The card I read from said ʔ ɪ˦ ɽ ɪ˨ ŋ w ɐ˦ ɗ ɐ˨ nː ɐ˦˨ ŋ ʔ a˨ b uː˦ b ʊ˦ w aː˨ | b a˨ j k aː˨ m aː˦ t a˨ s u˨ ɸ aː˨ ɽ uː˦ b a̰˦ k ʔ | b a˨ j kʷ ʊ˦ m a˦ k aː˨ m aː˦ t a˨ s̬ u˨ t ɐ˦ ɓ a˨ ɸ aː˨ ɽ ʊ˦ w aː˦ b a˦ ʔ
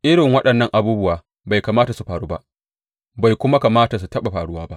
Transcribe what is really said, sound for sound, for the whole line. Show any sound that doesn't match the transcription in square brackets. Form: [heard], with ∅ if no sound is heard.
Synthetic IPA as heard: ʔ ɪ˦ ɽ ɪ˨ ŋ w ɐ˦ ɗ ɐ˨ nː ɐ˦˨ ŋ ʔ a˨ b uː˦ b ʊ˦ w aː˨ | b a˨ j k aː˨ m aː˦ t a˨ s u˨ ɸ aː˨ ɽ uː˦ b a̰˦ [∅] ʔ | b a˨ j kʷ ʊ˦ m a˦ k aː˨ m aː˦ t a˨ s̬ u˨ t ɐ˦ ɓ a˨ ɸ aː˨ ɽ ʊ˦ w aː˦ b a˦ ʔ